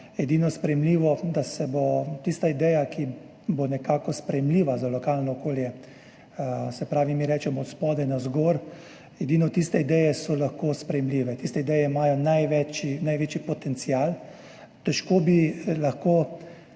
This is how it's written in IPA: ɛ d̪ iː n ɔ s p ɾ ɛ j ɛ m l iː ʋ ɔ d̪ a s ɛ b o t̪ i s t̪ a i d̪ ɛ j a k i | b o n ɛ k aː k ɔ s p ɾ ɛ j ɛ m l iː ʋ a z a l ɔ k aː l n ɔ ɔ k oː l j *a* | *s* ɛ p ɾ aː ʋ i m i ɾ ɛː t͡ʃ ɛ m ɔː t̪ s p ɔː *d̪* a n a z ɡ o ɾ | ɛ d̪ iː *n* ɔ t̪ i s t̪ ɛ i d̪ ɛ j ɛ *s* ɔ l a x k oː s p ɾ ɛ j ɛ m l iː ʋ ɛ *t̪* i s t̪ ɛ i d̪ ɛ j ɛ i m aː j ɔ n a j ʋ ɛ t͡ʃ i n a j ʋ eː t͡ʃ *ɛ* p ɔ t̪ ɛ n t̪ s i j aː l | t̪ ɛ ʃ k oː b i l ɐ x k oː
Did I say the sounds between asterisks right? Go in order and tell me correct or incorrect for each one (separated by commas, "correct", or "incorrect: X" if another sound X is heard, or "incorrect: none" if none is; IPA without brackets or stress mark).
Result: incorrect: ɛ, correct, correct, correct, correct, correct, incorrect: i